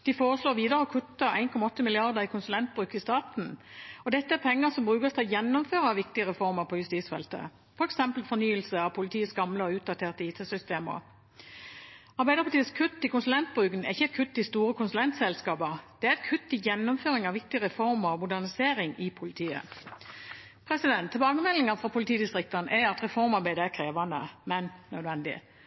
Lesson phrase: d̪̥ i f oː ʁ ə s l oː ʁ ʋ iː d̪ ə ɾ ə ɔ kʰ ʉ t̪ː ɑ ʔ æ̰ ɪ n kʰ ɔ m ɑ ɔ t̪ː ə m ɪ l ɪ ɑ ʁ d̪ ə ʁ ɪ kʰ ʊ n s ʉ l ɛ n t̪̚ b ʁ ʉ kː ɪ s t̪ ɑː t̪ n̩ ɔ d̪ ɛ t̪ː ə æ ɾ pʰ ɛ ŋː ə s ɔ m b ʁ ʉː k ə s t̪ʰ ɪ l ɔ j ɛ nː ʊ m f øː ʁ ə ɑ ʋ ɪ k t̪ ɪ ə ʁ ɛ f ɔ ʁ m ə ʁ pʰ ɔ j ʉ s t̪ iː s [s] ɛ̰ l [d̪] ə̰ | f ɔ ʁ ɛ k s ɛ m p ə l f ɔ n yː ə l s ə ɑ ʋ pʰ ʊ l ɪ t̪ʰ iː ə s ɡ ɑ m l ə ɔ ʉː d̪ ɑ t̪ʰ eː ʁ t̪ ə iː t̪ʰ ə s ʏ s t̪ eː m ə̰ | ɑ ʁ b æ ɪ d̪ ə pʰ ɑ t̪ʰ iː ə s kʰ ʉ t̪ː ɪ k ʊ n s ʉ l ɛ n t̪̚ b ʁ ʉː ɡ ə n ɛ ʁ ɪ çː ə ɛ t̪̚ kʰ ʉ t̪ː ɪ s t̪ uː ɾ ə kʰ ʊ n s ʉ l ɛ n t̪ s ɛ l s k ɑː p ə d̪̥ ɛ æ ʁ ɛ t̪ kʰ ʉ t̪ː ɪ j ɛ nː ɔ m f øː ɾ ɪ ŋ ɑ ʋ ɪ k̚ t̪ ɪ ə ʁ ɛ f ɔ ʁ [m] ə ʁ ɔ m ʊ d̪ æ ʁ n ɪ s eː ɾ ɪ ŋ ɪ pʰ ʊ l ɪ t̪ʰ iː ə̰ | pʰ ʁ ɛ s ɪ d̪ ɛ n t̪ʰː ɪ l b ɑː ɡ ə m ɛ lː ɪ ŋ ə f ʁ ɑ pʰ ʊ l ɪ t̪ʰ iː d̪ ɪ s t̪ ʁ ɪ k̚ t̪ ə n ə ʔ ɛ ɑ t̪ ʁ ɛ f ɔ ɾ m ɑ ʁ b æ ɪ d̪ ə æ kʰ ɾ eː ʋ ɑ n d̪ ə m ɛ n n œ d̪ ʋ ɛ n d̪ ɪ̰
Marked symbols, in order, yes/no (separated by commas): no, no, yes